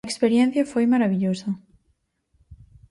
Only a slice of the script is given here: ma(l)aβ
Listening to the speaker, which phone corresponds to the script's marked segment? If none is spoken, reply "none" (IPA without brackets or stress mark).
ɾ